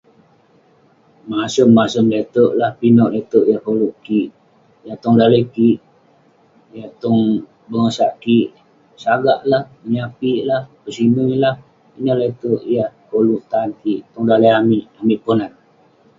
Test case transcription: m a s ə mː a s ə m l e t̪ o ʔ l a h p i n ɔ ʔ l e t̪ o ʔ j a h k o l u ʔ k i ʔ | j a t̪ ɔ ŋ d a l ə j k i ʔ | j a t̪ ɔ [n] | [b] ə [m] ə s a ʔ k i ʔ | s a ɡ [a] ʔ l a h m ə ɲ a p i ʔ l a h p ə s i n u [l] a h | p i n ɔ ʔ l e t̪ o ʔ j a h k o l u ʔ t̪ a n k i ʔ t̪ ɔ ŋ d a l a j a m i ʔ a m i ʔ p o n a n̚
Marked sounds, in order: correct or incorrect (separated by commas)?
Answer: incorrect, correct, incorrect, correct, correct